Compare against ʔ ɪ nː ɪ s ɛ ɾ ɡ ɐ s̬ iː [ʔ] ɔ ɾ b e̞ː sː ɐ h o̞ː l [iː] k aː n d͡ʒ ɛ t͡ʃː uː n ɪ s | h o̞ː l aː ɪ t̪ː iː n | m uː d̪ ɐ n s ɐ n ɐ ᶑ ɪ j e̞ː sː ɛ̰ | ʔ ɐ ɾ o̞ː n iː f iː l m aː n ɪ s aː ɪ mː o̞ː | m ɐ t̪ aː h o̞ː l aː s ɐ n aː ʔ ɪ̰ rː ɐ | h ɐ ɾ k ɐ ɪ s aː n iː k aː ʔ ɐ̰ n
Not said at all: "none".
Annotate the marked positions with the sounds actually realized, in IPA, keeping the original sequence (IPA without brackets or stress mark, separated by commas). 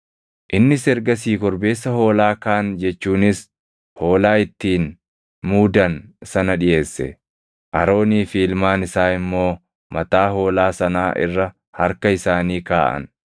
k, aː